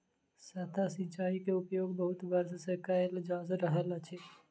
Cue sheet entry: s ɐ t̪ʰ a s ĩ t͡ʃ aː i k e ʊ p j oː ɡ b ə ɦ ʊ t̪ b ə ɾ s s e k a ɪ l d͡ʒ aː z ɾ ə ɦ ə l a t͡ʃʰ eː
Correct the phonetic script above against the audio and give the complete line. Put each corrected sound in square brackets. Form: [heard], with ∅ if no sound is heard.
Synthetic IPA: s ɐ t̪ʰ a s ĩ t͡ʃ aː i k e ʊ p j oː ɡ b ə ɦ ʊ t̪ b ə ɾ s s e k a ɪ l d͡ʒ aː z ɾ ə ɦ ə l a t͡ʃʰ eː